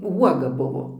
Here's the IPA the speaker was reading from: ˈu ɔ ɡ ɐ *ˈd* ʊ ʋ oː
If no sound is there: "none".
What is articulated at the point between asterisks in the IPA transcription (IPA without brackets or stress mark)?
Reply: b